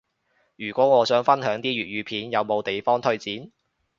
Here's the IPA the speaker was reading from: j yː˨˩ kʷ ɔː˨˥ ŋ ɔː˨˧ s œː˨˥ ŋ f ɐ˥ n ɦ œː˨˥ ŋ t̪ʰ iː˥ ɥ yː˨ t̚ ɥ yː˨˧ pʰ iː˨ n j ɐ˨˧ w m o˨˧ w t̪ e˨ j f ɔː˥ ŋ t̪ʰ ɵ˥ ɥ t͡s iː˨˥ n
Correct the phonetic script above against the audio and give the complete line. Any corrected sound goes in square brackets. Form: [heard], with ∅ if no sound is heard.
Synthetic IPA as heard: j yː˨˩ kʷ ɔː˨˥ ŋ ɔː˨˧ s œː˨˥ ŋ f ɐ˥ n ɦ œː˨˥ ŋ [t̪] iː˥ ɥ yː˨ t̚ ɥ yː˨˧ pʰ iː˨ n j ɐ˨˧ w m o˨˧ w t̪ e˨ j f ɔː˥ ŋ t̪ʰ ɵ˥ ɥ t͡s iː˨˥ n